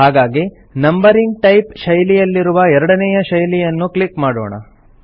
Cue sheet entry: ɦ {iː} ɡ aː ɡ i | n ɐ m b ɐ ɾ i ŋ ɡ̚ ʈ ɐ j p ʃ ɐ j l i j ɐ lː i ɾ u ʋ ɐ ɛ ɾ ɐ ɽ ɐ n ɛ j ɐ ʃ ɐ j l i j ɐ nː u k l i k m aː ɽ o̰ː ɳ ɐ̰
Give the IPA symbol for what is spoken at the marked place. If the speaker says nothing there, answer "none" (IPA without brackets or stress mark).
aː